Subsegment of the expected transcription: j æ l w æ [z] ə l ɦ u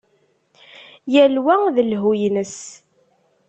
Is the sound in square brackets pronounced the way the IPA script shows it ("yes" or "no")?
no